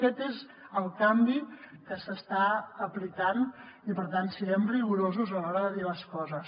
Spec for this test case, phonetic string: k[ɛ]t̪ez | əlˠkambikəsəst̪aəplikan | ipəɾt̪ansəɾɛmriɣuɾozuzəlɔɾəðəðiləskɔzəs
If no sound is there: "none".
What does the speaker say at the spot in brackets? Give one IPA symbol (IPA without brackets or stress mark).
ɛ